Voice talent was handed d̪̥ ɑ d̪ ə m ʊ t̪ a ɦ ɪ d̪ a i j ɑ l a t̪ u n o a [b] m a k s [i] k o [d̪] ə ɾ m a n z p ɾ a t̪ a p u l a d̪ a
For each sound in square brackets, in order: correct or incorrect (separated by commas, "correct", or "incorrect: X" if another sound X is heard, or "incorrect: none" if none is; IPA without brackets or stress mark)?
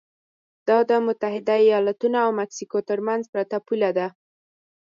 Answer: incorrect: w, correct, incorrect: t̪